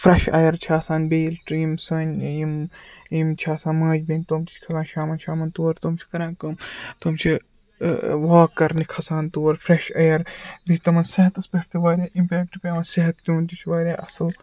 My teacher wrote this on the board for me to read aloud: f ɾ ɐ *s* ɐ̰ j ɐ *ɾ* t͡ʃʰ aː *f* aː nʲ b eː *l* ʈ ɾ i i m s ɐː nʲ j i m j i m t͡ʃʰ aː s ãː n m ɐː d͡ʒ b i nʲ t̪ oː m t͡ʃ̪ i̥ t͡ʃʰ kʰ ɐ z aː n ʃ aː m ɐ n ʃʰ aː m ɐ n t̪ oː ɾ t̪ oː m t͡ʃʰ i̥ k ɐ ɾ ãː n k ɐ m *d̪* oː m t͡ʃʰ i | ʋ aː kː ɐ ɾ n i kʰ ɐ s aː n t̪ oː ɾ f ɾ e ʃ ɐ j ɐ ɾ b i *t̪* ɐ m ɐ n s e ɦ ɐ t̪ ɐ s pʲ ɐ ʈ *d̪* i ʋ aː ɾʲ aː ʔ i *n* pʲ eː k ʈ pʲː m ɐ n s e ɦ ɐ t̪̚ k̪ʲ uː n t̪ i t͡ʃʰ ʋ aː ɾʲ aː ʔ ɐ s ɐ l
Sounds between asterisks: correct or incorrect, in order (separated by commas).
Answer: incorrect, correct, incorrect, correct, incorrect, correct, incorrect, incorrect